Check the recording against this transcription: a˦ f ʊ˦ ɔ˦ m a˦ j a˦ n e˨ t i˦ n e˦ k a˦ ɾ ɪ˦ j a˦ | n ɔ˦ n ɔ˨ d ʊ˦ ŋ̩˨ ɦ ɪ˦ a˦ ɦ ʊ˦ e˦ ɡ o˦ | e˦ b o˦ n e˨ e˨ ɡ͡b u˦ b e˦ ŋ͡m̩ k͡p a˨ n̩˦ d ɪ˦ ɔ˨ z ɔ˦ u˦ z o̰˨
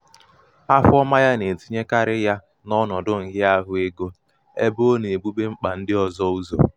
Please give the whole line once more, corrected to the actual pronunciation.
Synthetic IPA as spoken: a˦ f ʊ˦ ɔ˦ m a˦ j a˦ n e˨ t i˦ ɲ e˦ k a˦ ɾ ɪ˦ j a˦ | n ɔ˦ n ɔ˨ d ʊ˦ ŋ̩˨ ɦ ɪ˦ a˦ ɦ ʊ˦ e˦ ɡ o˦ | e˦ b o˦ n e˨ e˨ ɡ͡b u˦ b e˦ ŋ͡m̩ k͡p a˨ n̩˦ d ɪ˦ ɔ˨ z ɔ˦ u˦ z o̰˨